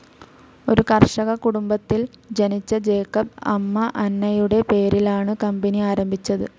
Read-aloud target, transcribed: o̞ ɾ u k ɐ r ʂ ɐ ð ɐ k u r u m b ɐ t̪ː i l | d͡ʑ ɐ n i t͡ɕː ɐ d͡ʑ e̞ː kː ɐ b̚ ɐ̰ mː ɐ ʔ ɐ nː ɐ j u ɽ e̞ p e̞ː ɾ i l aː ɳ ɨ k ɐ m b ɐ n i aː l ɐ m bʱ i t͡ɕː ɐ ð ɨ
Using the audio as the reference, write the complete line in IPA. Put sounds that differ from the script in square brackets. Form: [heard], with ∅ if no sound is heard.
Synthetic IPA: o̞ ɾ u k ɐ r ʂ ɐ [ɣ] ɐ k u [ɽ] u m b ɐ t̪ː i l | d͡ʑ ɐ n i t͡ɕː ɐ d͡ʑ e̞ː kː ɐ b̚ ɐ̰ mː ɐ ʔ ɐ nː ɐ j u ɽ e̞ p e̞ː ɾ i l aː ɳ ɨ k ɐ m b ɐ n i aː [ɾ] ɐ m bʱ i t͡ɕː ɐ ð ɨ